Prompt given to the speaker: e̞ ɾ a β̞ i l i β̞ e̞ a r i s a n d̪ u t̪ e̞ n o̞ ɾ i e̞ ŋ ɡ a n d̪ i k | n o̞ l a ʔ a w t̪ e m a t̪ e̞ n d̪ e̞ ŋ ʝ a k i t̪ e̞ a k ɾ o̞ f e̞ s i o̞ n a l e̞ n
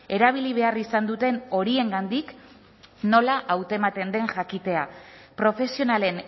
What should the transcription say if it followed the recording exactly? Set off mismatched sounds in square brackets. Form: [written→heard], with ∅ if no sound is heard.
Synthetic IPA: e̞ ɾ a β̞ i l i β̞ e̞ a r i s a n d̪ u t̪ e̞ n o̞ ɾ i e̞ ŋ ɡ a n d̪ i k | n o̞ l a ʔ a w t̪ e m a t̪ e̞ n d̪ e̞ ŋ ʝ a k i t̪ e̞ a [k→p] ɾ o̞ f e̞ s i o̞ n a l e̞ n